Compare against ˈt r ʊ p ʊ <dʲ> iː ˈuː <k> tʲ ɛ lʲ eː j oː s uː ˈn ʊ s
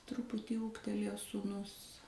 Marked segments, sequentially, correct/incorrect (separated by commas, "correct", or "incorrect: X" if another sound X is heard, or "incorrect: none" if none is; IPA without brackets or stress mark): incorrect: tʲ, correct